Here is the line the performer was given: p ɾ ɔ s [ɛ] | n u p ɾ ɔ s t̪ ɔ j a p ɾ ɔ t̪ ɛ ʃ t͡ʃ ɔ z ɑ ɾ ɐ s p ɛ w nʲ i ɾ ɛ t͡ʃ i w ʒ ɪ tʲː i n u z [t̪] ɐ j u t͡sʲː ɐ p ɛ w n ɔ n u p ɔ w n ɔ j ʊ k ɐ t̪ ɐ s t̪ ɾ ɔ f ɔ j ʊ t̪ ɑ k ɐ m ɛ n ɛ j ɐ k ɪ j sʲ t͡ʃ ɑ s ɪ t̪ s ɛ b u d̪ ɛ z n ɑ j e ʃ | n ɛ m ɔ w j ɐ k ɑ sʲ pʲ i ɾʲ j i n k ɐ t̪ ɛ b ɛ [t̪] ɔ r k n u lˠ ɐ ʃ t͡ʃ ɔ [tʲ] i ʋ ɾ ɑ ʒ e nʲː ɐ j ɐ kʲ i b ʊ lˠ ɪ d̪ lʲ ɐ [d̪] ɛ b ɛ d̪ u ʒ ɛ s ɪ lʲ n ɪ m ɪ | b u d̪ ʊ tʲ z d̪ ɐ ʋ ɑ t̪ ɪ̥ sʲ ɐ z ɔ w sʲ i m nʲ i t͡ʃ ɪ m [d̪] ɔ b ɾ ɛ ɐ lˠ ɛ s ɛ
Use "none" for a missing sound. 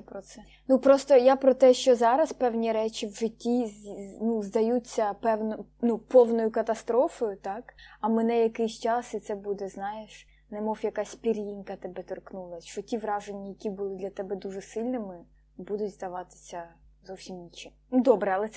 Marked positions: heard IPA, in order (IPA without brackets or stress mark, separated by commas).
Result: ɛ, d̪, t̪, tʲ, t̪, d̪